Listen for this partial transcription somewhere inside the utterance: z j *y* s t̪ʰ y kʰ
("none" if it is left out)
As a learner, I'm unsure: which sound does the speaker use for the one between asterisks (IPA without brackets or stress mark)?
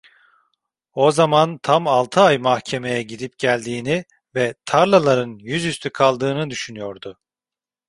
y